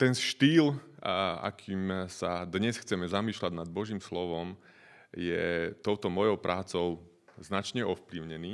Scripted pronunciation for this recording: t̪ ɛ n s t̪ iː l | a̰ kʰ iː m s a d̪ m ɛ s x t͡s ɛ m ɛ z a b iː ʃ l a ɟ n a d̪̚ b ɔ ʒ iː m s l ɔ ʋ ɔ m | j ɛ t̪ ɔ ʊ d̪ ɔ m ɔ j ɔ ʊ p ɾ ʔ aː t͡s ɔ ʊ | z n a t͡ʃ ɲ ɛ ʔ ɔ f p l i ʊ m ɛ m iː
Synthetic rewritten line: t̪ ɛ n ʃ t̪ iː l | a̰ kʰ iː m s a d̪ ɲ ɛ s x t͡s ɛ m ɛ z a m iː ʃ l a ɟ n a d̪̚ b ɔ ʒ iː m s l ɔ ʋ ɔ m | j ɛ t̪ ɔ ʊ t̪ ɔ m ɔ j ɔ ʊ p ɾ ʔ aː t͡s ɔ ʊ | z n a t͡ʃ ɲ ɛ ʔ ɔ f p l i ʊ ɲ ɛ n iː